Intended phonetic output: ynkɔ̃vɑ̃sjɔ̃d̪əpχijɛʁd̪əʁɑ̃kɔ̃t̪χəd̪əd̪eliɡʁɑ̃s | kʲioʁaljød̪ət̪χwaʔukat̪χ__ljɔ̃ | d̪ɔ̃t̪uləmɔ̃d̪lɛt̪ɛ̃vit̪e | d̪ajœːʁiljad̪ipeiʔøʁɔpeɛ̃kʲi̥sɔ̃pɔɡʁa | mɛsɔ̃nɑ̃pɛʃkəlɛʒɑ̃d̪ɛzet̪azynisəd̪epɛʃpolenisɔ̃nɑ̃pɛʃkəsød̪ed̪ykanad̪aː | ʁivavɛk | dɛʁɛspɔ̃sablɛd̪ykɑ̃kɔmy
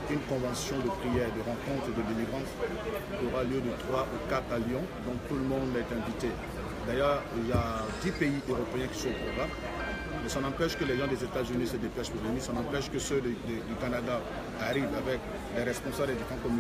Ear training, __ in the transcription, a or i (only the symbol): a